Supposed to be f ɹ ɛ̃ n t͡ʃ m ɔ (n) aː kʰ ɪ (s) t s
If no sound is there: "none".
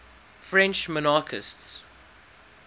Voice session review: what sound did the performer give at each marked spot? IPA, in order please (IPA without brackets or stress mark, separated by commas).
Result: n, s